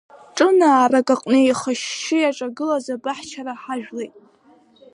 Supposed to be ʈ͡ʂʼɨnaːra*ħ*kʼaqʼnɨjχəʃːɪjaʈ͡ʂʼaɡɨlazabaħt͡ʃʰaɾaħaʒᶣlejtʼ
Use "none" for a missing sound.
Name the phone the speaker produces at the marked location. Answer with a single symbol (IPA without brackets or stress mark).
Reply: none